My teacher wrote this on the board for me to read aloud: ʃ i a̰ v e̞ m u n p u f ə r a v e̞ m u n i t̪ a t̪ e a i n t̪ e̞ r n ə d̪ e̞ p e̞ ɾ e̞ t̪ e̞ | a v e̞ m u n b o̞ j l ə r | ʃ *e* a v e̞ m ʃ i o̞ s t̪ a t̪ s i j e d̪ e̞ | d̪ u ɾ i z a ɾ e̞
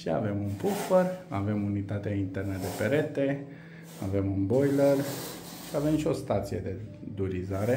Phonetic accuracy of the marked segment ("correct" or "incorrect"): incorrect